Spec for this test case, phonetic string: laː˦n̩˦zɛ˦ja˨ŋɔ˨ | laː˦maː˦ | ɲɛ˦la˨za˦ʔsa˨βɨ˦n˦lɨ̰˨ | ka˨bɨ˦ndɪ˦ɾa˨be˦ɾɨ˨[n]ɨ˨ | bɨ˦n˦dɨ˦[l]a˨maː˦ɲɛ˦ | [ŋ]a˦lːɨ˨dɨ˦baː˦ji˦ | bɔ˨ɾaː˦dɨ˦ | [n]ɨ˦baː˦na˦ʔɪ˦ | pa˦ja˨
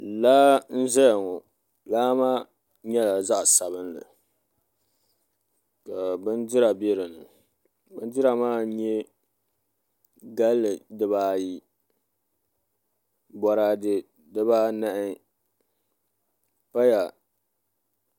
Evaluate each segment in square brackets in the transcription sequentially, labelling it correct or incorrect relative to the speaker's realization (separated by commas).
correct, incorrect, incorrect, incorrect